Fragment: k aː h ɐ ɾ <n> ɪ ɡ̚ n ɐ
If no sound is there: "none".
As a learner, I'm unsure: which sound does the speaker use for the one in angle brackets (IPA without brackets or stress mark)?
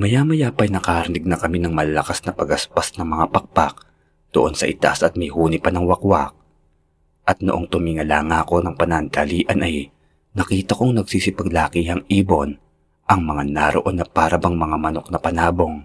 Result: n